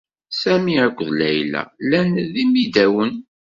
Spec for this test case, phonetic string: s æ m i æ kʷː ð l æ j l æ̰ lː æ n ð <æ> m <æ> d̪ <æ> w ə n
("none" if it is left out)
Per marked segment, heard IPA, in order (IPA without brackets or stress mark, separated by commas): i, i, æ